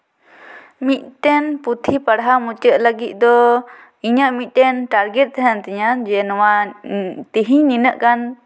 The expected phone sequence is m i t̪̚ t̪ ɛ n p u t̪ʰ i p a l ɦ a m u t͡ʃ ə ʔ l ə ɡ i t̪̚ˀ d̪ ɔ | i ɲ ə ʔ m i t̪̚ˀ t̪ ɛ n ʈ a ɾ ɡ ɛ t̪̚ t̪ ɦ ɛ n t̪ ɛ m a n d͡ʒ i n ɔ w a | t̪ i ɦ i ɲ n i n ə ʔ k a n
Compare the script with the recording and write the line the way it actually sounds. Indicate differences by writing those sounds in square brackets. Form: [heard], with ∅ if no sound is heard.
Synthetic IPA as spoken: m i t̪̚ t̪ ɛ n p u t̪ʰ i p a [ɽ] ɦ a m u t͡ʃ ə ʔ l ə ɡ i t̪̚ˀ d̪ ɔ | i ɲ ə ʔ m i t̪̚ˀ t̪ ɛ n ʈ a ɾ ɡ ɛ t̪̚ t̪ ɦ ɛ n t̪ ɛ [ɲ] a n d͡ʒ [ɛ] n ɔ w a | t̪ i ɦ i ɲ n i n ə ʔ k a n